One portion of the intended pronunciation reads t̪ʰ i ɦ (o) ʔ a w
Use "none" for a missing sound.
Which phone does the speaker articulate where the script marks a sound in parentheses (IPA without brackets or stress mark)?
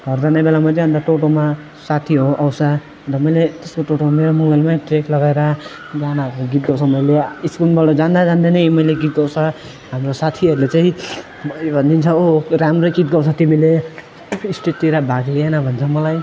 o